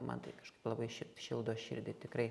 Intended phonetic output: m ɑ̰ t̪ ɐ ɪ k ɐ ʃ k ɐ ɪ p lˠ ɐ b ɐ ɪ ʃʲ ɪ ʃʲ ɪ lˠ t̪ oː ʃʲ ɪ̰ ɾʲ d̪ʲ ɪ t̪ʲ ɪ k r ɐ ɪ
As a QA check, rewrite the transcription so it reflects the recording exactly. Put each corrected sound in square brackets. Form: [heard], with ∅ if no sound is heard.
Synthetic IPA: m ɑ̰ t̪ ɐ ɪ k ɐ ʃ k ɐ ɪ p lˠ ɐ b ɐ ɪ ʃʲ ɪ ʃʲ ɪ lˠ [d̪] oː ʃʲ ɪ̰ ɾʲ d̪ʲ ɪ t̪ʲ ɪ k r ɐ ɪ